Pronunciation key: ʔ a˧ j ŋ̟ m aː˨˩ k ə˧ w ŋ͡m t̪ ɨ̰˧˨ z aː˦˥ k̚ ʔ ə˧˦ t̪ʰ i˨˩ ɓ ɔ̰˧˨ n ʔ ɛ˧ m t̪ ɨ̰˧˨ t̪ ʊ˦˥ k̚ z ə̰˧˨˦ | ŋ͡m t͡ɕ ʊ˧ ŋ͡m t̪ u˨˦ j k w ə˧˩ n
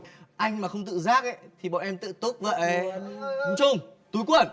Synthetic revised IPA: ʔ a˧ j ŋ̟ m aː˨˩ x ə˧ w ŋ͡m t̪ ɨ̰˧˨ z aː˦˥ k̚ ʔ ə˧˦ t̪ʰ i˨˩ ɓ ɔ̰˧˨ n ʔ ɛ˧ m t̪ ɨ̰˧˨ t̪ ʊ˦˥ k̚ v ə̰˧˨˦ | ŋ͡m t͡ɕ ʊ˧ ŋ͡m t̪ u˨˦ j k w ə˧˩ n